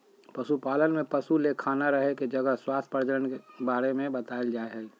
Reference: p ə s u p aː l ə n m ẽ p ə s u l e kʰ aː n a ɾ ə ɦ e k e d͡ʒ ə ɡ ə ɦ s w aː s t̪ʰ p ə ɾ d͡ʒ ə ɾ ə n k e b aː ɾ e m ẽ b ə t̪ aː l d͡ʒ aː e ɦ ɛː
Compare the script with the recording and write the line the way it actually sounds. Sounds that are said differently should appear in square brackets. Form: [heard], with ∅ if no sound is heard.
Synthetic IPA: p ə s u p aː l ə n m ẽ p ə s u l e kʰ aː n a ɾ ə ɦ e k e d͡ʒ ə ɡ ə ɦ s w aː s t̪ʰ p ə ɾ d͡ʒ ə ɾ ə n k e b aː ɾ e m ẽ b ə t̪ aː l d͡ʒ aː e ɦ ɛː